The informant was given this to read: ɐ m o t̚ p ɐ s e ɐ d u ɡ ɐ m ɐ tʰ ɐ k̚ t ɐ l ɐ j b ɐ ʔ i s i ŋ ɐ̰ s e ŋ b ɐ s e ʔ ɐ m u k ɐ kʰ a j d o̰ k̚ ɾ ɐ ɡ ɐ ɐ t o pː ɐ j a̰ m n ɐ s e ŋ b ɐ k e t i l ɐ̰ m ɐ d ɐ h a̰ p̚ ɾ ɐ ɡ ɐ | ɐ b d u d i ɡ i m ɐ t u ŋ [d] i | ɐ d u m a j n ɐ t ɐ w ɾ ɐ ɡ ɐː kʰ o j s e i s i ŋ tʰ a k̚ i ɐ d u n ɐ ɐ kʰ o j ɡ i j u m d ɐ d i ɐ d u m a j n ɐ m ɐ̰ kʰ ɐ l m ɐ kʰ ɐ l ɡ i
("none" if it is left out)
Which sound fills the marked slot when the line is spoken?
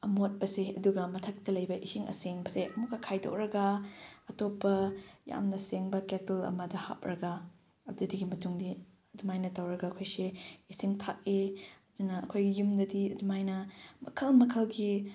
d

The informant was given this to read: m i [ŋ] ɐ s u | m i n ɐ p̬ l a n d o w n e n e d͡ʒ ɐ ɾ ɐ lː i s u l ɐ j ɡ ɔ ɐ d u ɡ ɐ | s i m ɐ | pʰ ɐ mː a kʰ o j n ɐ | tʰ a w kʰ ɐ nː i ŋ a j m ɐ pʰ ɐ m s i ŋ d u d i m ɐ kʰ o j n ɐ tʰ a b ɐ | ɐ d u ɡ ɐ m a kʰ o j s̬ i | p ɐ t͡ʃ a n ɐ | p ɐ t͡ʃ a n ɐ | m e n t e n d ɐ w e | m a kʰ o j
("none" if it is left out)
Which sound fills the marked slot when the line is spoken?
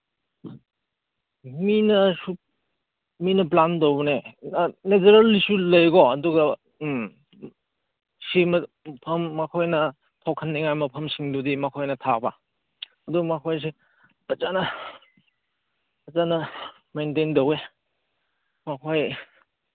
n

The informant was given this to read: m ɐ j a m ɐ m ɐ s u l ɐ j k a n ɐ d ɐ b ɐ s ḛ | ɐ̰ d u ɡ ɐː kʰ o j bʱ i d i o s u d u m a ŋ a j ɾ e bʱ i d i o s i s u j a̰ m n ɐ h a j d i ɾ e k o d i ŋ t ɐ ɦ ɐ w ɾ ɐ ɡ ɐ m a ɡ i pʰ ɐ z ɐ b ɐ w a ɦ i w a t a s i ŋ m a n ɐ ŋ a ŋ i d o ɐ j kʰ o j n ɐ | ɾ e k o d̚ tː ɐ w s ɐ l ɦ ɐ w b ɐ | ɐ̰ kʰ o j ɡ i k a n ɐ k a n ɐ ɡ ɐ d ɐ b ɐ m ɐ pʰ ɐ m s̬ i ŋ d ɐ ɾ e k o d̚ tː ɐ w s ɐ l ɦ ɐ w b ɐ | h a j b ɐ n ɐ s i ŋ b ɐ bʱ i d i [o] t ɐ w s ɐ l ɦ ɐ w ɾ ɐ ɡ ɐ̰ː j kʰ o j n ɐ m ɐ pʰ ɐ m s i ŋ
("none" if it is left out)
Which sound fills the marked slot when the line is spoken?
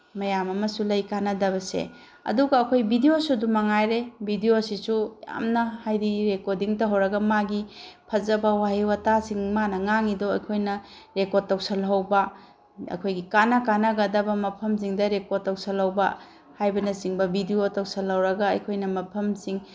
o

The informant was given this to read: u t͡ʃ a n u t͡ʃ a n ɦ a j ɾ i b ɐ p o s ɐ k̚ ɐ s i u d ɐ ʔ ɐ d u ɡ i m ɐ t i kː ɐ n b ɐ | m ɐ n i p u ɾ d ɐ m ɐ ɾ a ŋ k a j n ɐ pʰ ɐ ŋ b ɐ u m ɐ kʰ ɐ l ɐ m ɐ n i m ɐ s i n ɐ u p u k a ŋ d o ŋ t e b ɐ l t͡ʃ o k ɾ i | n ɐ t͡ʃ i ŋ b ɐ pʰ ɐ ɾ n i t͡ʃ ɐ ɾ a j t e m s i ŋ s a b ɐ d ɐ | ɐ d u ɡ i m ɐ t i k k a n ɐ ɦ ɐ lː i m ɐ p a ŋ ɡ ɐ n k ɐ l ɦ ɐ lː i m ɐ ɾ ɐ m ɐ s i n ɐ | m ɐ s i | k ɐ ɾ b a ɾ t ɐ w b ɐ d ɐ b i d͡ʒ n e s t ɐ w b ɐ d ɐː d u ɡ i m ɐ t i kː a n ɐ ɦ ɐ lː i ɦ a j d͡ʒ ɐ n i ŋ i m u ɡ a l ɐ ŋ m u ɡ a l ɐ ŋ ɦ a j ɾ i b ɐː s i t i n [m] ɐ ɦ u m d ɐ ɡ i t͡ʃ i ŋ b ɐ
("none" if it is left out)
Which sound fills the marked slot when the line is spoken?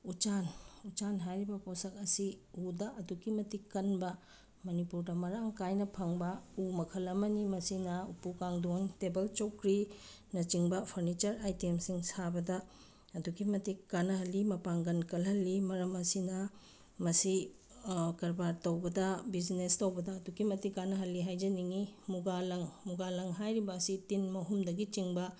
m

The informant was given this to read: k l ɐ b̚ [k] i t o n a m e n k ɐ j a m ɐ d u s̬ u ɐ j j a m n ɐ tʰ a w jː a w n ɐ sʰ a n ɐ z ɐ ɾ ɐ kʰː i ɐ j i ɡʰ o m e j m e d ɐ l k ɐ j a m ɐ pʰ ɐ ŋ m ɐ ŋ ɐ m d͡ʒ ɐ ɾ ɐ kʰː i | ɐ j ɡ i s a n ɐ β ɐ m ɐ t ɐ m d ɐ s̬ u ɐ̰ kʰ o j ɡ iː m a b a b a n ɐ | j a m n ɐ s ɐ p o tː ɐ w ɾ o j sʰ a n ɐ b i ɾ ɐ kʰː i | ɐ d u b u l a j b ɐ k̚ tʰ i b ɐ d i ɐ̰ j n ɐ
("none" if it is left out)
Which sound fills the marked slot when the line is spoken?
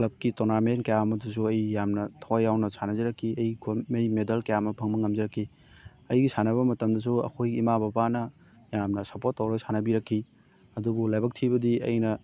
k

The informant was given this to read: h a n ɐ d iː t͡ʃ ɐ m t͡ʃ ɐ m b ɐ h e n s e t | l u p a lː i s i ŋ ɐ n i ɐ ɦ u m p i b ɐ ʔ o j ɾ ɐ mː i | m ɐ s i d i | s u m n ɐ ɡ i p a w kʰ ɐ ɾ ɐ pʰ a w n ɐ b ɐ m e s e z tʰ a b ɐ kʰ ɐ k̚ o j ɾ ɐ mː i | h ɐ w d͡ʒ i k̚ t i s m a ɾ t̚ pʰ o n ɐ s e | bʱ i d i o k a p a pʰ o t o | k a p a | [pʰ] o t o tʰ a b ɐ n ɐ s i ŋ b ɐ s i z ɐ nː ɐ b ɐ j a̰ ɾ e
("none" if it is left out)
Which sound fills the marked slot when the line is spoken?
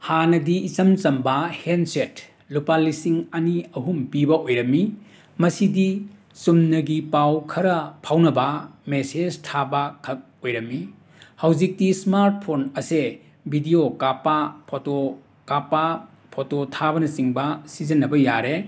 pʰ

